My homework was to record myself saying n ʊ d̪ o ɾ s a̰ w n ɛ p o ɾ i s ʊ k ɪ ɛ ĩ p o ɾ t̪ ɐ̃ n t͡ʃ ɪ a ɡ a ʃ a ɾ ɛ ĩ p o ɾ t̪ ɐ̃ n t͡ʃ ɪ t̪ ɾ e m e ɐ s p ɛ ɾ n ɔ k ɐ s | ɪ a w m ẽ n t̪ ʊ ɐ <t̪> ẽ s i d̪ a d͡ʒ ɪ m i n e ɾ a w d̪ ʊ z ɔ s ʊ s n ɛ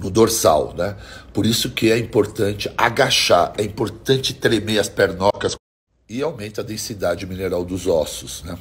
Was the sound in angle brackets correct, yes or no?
no